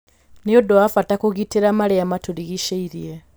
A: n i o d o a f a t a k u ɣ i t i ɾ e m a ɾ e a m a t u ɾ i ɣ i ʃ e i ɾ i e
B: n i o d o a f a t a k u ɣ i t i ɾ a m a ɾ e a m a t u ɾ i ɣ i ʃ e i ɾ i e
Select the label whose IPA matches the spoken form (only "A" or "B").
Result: B